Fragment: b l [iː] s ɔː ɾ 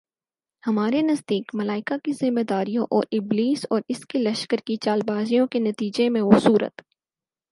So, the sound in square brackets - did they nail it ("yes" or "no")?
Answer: yes